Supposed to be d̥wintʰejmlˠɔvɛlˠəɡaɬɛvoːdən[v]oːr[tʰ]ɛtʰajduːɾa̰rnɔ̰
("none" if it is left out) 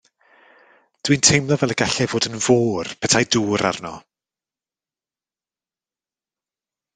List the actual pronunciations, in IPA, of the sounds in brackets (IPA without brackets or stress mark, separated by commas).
v, pʰ